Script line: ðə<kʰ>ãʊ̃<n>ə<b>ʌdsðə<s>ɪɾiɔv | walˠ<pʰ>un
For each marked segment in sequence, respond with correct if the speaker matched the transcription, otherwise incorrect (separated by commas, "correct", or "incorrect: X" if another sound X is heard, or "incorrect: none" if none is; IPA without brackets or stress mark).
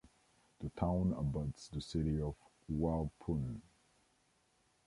incorrect: tʰ, correct, correct, correct, correct